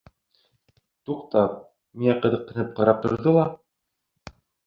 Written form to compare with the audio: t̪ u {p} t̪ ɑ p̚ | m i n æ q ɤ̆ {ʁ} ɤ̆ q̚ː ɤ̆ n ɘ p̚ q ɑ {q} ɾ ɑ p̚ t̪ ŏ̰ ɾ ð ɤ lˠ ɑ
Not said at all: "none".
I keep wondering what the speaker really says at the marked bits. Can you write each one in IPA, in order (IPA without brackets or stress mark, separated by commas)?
q, ð, none